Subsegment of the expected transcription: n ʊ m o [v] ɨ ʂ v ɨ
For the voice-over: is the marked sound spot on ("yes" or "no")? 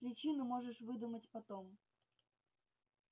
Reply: no